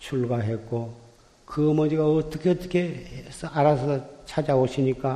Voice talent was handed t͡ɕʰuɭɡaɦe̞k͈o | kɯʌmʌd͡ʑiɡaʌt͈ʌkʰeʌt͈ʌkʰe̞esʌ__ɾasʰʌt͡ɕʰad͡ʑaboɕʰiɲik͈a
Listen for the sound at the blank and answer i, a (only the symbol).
a